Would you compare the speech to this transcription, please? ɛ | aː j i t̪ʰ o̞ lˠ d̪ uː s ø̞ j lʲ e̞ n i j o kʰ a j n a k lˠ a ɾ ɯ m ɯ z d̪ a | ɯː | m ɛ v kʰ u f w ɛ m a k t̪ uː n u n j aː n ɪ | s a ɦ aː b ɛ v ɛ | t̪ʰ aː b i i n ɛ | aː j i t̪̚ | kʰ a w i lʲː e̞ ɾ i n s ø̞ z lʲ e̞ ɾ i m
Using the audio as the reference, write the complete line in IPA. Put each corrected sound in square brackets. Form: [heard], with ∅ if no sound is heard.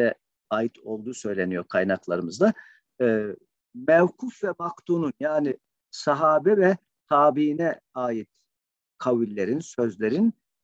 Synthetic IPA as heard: ɛ | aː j i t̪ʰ o̞ lˠ d̪ uː s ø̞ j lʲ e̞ n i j o kʰ a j n a k lˠ a ɾ ɯ m ɯ z d̪ a | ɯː | m ɛ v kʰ u f [v] ɛ m a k t̪ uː n u n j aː n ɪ | s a ɦ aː b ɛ v ɛ | t̪ʰ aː b i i n ɛ | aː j i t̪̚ | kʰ a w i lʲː e̞ ɾ i n s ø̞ z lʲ e̞ ɾ i [n]

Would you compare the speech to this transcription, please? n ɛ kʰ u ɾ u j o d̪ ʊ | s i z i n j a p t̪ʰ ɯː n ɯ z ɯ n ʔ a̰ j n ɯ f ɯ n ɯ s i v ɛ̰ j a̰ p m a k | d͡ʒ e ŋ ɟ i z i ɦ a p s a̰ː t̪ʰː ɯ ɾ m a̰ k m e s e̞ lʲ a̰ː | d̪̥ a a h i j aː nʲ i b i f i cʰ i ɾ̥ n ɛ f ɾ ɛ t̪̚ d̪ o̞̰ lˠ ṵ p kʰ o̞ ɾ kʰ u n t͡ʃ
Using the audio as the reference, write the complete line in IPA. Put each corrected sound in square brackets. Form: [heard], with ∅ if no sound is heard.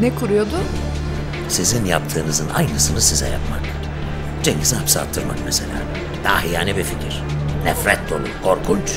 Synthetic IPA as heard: n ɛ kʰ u ɾ u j o d̪ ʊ | s i z i n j a p t̪ʰ ɯː n ɯ z ɯ n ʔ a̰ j n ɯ [s] ɯ n ɯ s i [z] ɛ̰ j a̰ p m a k | d͡ʒ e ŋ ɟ i z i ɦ a p s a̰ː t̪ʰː ɯ ɾ m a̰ k m e s e̞ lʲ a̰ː | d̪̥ a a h i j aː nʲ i b i f i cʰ i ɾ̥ n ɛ f ɾ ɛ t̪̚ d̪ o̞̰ lˠ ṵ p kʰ o̞ ɾ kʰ u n t͡ʃ

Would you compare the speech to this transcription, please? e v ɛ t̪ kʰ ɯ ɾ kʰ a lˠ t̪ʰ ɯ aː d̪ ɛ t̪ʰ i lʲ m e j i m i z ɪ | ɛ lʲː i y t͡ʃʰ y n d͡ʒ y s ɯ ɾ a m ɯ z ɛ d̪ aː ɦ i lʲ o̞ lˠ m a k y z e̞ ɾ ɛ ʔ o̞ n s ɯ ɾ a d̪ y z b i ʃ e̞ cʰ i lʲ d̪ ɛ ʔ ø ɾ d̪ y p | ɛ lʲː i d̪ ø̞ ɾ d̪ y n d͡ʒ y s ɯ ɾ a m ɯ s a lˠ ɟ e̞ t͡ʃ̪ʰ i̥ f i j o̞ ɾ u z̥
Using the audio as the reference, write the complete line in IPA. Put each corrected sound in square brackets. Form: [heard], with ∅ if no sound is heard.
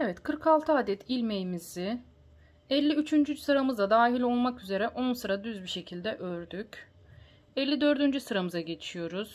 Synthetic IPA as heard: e v ɛ t̪ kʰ ɯ ɾ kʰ a lˠ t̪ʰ ɯ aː d̪ ɛ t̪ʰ i lʲ m e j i m i z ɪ | ɛ lʲː i y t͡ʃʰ y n d͡ʒ y s ɯ ɾ a m ɯ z [a] d̪ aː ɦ i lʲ o̞ lˠ m a k y z e̞ ɾ ɛ ʔ o̞ n s ɯ ɾ a d̪ y z b i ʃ e̞ cʰ i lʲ d̪ ɛ ʔ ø ɾ d̪ y [c] | ɛ lʲː i d̪ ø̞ ɾ d̪ y n d͡ʒ y s ɯ ɾ a m ɯ [z] a [∅] ɟ e̞ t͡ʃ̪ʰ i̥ [ʃ] i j o̞ ɾ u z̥

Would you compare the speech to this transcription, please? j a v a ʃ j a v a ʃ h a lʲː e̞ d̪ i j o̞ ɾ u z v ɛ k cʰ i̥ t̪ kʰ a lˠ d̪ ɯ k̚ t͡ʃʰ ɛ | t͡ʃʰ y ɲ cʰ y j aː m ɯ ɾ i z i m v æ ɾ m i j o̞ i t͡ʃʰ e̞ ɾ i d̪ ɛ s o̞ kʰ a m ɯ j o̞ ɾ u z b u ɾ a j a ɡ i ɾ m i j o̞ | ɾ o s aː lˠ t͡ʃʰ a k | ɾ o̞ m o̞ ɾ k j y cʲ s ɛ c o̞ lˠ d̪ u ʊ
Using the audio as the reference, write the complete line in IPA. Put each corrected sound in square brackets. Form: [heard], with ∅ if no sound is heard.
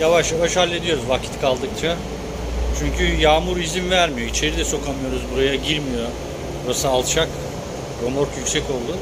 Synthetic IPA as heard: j a v a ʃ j a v a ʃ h a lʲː e̞ d̪ i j o̞ ɾ u z v [a] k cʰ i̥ t̪ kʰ a lˠ d̪ ɯ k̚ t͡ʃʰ [a] | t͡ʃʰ y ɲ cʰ y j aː m [u] ɾ i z i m v æ ɾ m i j o̞ i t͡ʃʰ e̞ ɾ i d̪ ɛ s o̞ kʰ a m ɯ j o̞ ɾ u z b u ɾ a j a [ɟ] i ɾ m i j o̞ | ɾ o s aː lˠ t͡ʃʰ a k | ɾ o̞ m o̞ ɾ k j y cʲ s ɛ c o̞ lˠ d̪ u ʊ

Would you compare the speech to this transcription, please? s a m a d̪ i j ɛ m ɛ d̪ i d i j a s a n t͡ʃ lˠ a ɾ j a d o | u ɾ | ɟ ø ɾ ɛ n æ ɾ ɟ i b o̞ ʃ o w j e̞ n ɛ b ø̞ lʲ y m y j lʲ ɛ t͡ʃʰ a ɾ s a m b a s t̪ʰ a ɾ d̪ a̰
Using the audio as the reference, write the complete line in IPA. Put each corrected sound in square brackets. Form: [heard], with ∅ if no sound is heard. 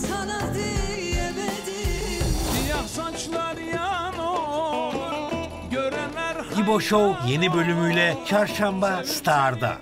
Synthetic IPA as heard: s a [n] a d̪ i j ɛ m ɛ d̪ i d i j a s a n t͡ʃ lˠ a ɾ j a [n] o | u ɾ | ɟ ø ɾ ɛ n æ ɾ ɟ i b o̞ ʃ o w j e̞ n [i] b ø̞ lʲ y m y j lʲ ɛ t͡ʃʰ a ɾ [ʃ] a m b a s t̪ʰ a ɾ d̪ a̰

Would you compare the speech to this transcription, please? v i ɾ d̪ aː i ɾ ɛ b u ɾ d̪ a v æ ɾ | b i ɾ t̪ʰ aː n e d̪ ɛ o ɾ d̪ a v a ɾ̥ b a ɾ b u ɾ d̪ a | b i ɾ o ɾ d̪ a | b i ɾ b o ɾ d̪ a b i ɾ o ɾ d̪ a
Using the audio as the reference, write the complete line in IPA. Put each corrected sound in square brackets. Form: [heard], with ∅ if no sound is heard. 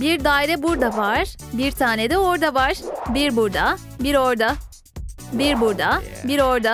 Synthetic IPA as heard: [b] i ɾ d̪ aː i ɾ ɛ b u ɾ d̪ a v [a] ɾ | b i ɾ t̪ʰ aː n e d̪ ɛ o ɾ d̪ a v a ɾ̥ b [i] ɾ b u ɾ d̪ a | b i ɾ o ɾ d̪ a | b i ɾ b [u] ɾ d̪ a b i ɾ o ɾ d̪ a

